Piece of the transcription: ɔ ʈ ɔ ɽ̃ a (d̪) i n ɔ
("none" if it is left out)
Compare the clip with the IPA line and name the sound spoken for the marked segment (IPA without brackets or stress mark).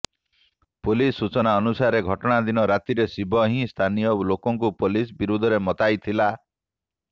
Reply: d̪